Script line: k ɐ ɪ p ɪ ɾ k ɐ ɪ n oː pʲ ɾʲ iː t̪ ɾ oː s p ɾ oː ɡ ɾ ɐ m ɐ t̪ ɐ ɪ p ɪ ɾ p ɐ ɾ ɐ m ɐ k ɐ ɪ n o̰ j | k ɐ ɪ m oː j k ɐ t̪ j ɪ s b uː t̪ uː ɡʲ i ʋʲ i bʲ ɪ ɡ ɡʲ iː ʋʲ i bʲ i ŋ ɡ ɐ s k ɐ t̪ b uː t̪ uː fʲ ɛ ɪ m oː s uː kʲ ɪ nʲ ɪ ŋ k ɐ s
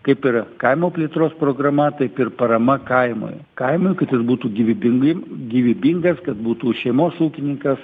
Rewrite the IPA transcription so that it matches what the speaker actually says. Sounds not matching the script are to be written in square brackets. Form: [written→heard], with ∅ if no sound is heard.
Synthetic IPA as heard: k ɐ ɪ p ɪ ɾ k ɐ ɪ [n→m] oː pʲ [ɾʲ→lʲ] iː t̪ ɾ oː s p ɾ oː ɡ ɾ ɐ m ɐ t̪ ɐ ɪ p ɪ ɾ p ɐ ɾ ɐ m ɐ k ɐ ɪ [n→m] o̰ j | k ɐ ɪ m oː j k ɐ t̪ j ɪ s b uː t̪ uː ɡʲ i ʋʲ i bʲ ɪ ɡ ɡʲ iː ʋʲ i bʲ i ŋ ɡ ɐ s k ɐ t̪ b uː t̪ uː [fʲ→ʃʲ] ɛ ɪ m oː s uː kʲ ɪ nʲ ɪ ŋ k ɐ s